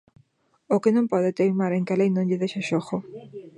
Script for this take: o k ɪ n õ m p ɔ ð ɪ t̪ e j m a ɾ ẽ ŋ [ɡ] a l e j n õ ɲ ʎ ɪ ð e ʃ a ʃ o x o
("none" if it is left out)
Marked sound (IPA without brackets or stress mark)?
k